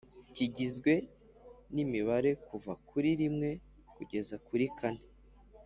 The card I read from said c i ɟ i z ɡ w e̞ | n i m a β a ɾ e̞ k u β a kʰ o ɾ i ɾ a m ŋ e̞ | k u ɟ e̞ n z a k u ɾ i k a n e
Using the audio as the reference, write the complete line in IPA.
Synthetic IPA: c i ɟ i z ɡ w e̞ | n i m i β a ɾ e̞ k u v a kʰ u ɾ i ɾ i m ŋ e̞ | k u ɟ e̞ z a k u ɾ i k a n e